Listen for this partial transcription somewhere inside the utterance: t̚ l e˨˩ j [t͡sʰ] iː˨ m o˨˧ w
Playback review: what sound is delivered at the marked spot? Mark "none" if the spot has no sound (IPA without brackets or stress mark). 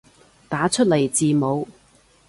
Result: t͡s